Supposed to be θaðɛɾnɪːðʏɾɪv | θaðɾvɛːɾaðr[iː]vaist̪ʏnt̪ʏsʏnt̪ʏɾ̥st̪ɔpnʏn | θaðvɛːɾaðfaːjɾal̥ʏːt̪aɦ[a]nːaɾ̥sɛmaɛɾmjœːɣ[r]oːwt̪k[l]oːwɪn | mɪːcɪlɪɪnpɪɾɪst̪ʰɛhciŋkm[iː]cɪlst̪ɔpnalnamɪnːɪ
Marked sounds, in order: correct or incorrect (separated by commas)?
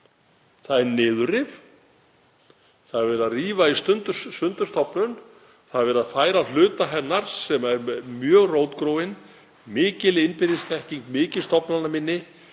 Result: correct, incorrect, correct, incorrect, incorrect